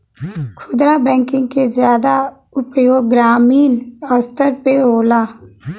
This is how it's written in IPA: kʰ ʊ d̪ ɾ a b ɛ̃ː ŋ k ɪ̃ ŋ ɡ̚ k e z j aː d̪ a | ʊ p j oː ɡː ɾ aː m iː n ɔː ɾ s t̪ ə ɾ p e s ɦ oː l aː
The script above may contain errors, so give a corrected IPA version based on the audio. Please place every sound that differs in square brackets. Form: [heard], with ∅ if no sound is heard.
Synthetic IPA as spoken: kʰ ʊ d̪ ɾ a b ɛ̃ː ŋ k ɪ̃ ŋ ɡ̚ k e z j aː d̪ a | ʊ p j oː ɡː ɾ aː m iː n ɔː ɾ s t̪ ə ɾ p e [∅] ɦ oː l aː